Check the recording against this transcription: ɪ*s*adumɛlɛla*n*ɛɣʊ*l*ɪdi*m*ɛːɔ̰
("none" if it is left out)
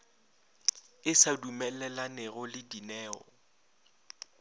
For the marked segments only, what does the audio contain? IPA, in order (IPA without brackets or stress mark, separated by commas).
s, n, l, n